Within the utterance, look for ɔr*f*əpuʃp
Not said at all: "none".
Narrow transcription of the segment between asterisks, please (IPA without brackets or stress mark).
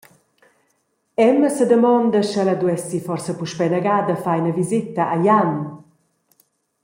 s